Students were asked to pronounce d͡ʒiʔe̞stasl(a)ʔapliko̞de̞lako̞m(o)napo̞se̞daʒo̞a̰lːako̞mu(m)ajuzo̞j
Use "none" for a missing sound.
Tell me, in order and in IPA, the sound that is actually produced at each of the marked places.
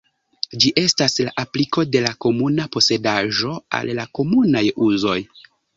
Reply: a, u, n

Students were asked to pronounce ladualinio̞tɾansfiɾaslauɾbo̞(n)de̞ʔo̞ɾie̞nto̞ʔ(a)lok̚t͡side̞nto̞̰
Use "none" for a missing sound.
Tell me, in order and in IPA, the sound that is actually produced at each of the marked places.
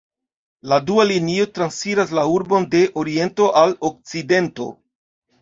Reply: n, a

